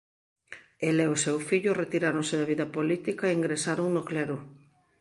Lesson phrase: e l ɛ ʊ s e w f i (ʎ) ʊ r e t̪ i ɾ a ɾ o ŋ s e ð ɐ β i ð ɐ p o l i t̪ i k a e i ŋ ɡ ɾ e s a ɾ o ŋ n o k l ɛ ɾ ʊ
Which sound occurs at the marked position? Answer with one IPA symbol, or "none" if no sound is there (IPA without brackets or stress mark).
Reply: ʎ